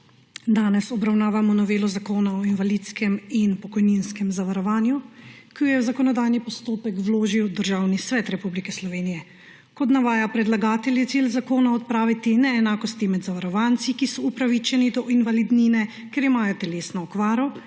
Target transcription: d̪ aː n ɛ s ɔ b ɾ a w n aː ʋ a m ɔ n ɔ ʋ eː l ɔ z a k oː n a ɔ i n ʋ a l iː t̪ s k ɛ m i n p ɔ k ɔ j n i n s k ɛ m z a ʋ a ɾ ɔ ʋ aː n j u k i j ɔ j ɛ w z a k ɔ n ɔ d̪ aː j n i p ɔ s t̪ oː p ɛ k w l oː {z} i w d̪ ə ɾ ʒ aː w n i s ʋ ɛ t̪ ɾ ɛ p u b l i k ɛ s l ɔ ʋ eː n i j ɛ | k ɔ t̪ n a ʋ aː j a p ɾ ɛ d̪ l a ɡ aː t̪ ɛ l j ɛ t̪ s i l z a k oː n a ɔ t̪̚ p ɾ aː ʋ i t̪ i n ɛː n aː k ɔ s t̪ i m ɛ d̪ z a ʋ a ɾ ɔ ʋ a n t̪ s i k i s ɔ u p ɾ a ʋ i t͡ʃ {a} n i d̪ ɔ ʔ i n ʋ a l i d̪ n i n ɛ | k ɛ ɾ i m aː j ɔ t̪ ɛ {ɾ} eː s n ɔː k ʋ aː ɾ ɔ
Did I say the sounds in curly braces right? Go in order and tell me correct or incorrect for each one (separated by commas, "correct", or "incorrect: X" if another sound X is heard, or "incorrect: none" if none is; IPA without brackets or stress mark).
incorrect: ʒ, incorrect: ɛ, incorrect: l